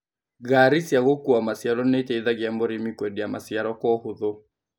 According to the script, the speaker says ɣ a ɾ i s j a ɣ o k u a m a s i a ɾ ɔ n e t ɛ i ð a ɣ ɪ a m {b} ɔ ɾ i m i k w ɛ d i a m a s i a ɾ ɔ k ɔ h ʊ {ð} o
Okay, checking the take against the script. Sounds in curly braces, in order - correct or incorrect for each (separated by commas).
correct, correct